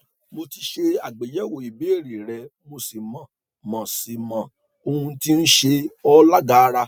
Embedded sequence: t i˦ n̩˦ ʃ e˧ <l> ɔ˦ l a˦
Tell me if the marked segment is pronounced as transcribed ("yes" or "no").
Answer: no